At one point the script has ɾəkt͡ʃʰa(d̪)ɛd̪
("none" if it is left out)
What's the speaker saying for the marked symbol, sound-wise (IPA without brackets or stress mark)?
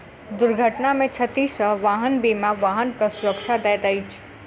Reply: d̪